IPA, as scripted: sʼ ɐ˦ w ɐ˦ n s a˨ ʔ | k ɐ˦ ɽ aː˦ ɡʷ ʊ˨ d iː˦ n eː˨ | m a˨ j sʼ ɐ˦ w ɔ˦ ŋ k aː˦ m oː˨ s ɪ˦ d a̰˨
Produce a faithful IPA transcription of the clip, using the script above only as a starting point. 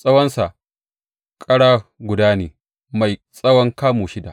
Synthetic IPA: sʼ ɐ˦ w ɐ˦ n s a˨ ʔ | kʼ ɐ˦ ɽ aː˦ ɡʷ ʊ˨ d aː˦ n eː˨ | m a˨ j sʼ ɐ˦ w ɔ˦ ŋ k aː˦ m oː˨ ʃ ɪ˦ d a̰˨